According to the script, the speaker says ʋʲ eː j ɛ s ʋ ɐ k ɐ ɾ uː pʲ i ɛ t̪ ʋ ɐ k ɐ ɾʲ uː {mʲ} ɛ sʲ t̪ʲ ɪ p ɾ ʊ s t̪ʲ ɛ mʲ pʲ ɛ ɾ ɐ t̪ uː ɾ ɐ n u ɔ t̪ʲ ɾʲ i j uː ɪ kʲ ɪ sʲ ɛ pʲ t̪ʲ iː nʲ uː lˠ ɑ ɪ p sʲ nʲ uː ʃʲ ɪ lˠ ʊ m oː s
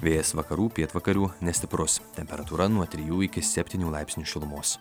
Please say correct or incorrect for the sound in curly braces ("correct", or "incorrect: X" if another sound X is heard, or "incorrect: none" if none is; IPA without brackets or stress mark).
incorrect: nʲ